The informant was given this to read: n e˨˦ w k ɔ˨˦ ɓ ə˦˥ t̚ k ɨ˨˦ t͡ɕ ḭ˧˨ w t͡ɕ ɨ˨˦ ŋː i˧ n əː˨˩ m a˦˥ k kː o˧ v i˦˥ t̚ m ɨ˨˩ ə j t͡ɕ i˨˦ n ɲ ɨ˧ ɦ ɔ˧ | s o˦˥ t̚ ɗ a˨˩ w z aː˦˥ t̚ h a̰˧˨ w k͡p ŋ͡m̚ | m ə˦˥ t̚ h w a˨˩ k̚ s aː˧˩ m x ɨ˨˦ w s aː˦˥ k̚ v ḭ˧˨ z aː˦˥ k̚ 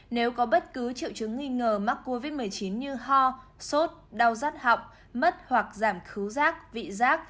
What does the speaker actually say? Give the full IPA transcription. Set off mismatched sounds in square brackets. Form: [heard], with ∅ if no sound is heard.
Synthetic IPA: n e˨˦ w k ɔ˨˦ ɓ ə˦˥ t̚ k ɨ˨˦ t͡ɕ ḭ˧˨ w t͡ɕ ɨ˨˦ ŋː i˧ [ŋ] əː˨˩ m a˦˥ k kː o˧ v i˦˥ t̚ m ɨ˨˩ ə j t͡ɕ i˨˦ n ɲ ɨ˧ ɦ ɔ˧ | s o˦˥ t̚ ɗ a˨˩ w z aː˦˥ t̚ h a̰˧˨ w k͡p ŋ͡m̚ | m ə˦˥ t̚ h w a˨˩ k̚ [z] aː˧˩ m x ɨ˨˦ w [z] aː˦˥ k̚ v ḭ˧˨ z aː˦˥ k̚